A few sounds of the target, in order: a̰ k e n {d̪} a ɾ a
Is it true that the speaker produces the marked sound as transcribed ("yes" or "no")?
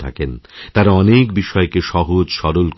no